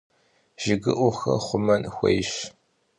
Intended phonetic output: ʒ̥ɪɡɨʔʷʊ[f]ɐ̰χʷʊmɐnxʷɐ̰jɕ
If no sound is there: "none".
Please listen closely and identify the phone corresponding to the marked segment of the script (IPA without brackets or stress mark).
x